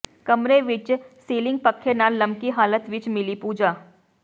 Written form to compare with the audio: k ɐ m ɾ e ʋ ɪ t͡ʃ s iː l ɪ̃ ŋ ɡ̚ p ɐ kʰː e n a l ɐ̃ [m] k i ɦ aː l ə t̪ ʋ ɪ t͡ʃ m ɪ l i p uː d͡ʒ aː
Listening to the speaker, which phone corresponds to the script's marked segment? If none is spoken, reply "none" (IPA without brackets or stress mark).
m